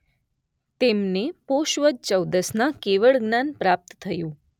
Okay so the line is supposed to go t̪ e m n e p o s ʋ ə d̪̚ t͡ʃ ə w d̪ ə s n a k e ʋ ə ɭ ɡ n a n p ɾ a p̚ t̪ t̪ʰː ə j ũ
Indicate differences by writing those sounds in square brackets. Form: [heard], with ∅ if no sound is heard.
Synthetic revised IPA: t̪ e m n e p o [ʃ] ʋ ə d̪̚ t͡ʃ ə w d̪ ə s n a k e ʋ ə ɭ ɡ n a n p ɾ a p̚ t̪ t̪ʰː ə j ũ